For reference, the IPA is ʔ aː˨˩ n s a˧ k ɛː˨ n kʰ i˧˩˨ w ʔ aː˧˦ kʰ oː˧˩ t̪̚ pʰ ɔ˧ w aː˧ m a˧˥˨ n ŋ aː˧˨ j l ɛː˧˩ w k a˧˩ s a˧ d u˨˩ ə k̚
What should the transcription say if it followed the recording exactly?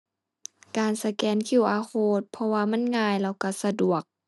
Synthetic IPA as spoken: k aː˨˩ n s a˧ k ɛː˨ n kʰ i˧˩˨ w ʔ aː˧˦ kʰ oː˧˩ t̪̚ pʰ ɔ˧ w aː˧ m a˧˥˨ n ŋ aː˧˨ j l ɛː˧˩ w k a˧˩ s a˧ d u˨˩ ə k̚